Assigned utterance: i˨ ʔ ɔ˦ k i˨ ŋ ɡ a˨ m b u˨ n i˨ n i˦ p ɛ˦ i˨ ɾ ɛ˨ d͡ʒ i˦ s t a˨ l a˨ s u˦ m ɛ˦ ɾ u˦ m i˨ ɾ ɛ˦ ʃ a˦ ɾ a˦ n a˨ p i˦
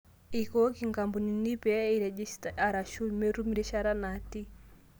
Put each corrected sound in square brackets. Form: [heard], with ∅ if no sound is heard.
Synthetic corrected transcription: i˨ [k] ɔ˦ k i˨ ŋ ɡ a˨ m b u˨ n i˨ n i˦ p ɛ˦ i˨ ɾ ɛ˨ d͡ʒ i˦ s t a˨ [ɾ] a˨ [ʃ] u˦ m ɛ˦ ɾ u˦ m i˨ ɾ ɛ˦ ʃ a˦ ɾ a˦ n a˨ [t] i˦